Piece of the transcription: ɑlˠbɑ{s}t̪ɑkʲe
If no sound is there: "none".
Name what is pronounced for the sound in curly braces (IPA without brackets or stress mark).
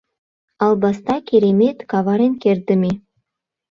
s